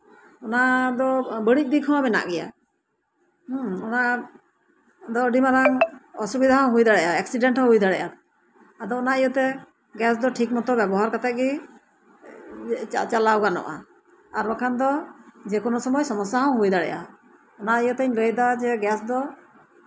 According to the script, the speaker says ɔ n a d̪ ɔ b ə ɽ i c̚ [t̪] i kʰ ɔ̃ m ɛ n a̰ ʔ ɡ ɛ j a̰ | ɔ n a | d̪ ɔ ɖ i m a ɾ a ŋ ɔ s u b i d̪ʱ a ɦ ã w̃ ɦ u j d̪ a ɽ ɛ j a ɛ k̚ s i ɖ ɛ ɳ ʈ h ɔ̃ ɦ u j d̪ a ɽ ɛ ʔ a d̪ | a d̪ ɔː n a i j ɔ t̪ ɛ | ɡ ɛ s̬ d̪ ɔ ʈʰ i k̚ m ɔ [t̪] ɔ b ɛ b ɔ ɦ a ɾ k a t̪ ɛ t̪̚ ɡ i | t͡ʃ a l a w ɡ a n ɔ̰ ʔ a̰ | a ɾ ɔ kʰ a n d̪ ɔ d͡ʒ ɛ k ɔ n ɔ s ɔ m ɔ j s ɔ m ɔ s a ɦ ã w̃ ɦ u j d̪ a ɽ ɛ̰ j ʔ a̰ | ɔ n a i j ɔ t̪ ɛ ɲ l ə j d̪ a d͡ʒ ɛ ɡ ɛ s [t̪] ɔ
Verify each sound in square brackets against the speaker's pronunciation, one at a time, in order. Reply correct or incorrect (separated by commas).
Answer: incorrect, correct, incorrect